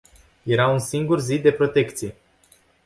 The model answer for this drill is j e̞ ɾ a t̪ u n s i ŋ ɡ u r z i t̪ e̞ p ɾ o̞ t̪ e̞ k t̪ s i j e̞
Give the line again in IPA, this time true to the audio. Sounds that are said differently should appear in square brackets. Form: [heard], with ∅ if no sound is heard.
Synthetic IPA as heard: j e̞ ɾ a [∅] u n s i ŋ ɡ u r z i [d̪] e̞ p ɾ o̞ t̪ e̞ k t̪ s i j e̞

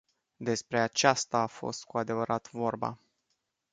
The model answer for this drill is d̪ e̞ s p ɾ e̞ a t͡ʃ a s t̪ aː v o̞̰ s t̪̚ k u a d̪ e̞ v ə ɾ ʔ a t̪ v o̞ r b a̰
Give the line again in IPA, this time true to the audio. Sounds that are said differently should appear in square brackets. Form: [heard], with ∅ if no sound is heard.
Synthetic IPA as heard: d̪ e̞ s p ɾ e̞ a t͡ʃ a s t̪ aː [f] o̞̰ s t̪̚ k u a d̪ e̞ v ə ɾ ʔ a t̪ v o̞ r b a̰

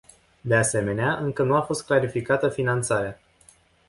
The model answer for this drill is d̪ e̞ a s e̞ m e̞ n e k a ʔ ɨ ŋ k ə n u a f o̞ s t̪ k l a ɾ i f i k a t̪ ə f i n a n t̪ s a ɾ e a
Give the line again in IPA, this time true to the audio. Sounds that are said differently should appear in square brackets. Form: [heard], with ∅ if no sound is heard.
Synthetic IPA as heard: d̪ e̞ a s e̞ m e̞ n e [∅] a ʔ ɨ ŋ k ə n u a f o̞ s t̪ k l a ɾ i f i k a t̪ ə f i n a n t̪ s a ɾ e a

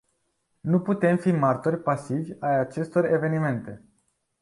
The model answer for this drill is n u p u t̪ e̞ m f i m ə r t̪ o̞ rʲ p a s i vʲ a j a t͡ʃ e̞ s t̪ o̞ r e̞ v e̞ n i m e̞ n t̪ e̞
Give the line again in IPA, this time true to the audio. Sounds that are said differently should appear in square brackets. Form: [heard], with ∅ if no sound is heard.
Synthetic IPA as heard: n u p u t̪ e̞ m f i m [a] r t̪ o̞ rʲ p a s i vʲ a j a t͡ʃ e̞ s t̪ o̞ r e̞ v e̞ n i m e̞ n t̪ e̞

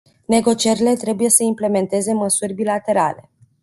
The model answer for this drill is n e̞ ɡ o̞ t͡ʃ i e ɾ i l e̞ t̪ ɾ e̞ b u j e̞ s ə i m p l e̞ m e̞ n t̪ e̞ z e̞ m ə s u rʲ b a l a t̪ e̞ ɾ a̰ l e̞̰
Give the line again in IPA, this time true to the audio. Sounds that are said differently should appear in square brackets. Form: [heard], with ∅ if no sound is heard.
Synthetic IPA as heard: n e̞ ɡ o̞ t͡ʃ i e ɾ i l e̞ t̪ ɾ e̞ b u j e̞ s ə i m p l e̞ m e̞ n t̪ e̞ z e̞ m ə s u rʲ b [i] l a t̪ e̞ ɾ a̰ l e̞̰

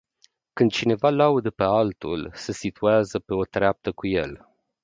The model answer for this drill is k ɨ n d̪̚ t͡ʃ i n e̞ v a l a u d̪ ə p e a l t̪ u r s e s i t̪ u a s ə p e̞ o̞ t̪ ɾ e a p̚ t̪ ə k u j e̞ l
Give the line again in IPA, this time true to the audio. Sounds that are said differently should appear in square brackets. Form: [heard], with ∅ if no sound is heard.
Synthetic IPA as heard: k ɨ n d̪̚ t͡ʃ i n e̞ v a l a u d̪ ə p e a l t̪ u [l] s e s i t̪ u a [z] ə p e̞ o̞ t̪ ɾ e a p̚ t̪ ə k u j e̞ l

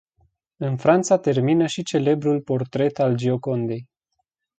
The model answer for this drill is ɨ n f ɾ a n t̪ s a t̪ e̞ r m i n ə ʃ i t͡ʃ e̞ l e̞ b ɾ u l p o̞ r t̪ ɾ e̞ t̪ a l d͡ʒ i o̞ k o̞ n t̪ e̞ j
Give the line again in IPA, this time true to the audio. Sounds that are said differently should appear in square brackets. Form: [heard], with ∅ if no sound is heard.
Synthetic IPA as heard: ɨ n f ɾ a n t̪ s a t̪ e̞ r m i n ə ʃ i t͡ʃ e̞ l e̞ b ɾ u l p o̞ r t̪ ɾ e̞ t̪ a l d͡ʒ i o̞ k o̞ n [d̪] e̞ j

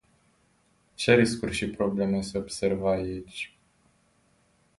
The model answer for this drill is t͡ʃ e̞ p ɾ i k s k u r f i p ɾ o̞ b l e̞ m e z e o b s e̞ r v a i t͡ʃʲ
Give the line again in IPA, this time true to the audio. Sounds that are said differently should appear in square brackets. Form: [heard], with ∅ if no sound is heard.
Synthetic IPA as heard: t͡ʃ e̞ [∅] ɾ i [∅] s k u r [ʃ] i p ɾ o̞ b l e̞ m e [s] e o b s e̞ r v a i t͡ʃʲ

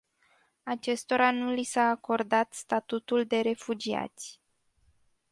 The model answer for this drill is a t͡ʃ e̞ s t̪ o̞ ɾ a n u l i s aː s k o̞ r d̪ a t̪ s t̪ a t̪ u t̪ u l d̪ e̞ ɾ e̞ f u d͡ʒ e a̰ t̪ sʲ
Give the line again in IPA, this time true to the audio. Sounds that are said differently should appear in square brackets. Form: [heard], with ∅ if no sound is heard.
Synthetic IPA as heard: a t͡ʃ e̞ s t̪ o̞ ɾ a n u l i s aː [∅] k o̞ r d̪ a t̪ s t̪ a t̪ u t̪ u l d̪ e̞ ɾ e̞ f u d͡ʒ [i] a̰ t̪ sʲ

